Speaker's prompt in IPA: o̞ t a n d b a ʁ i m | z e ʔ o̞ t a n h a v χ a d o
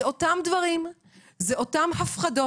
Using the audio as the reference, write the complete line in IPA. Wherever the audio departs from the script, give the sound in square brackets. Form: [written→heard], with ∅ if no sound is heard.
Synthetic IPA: o̞ t a [n→m] d [b→v] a ʁ i m | z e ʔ o̞ t a [n→m] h a [v→f] χ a d o